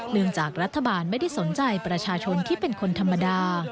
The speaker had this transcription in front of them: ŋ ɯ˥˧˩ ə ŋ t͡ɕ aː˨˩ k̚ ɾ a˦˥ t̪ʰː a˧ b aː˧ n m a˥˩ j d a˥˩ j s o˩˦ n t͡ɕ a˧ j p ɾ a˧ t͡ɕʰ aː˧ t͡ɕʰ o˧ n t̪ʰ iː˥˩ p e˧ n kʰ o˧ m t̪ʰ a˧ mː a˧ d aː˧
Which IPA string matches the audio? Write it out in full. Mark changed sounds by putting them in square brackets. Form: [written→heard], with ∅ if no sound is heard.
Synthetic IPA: [ŋ→n] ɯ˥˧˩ ə ŋ t͡ɕ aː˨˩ k̚ ɾ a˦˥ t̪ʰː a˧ b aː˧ n m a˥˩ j d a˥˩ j s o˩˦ n t͡ɕ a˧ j p ɾ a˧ t͡ɕʰ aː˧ t͡ɕʰ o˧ n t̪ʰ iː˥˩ p e˧ n kʰ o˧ [m→n] t̪ʰ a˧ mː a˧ d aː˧